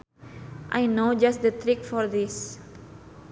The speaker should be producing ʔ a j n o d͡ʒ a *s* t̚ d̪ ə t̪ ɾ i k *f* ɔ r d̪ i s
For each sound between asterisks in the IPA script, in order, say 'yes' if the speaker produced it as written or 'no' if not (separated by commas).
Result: yes, yes